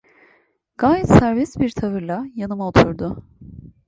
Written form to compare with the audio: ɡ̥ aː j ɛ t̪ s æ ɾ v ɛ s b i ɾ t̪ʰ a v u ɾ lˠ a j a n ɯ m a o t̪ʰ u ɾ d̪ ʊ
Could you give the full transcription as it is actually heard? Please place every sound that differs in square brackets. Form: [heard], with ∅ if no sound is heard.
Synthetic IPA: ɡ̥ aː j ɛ t̪ s æ ɾ v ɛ s b i ɾ t̪ʰ a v [ɯ] ɾ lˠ a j a n ɯ m a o t̪ʰ u ɾ d̪ ʊ